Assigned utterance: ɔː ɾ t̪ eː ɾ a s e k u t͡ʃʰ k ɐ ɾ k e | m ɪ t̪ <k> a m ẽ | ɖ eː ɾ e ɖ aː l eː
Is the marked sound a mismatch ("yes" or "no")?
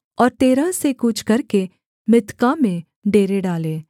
no